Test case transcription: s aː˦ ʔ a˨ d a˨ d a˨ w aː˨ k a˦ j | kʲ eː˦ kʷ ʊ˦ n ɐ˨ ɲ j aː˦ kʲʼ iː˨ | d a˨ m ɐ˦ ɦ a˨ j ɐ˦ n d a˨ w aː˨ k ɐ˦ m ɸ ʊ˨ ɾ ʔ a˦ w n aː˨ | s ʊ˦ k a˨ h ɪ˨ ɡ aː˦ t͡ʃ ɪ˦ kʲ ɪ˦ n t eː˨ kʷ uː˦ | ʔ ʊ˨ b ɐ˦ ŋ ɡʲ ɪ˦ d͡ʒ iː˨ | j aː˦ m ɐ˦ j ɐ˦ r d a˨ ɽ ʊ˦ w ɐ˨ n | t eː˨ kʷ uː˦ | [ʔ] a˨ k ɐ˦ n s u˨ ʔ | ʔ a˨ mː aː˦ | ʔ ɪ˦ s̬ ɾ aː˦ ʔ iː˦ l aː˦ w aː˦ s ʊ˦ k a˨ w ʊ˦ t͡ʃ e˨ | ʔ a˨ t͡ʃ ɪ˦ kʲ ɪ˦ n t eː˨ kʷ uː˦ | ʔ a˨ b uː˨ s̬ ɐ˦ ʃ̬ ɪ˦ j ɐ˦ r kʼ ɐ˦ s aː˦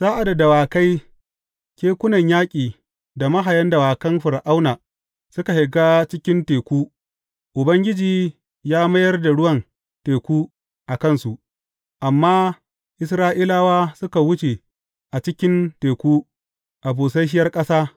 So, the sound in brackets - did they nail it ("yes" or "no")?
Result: yes